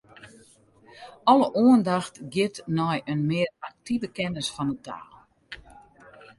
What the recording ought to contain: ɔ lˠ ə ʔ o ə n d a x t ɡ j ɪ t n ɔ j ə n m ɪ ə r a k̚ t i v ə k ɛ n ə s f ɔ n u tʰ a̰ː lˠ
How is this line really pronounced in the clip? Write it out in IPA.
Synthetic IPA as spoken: ɔ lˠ ə ʔ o ə n d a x t ɡ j ɪ t n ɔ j ə n m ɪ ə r a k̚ t i v ə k ɛ n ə s f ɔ n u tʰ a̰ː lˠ